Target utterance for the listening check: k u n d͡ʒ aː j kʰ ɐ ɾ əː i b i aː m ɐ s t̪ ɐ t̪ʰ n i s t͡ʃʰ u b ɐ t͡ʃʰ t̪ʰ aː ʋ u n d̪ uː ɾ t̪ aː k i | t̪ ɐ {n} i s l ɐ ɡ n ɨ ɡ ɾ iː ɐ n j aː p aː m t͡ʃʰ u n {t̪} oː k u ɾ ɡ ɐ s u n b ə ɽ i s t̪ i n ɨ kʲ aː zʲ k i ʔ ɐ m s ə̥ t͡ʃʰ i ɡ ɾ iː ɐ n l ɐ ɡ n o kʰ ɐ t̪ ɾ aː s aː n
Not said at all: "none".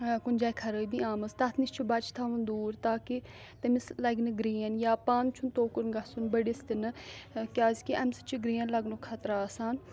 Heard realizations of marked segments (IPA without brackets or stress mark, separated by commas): m, t̪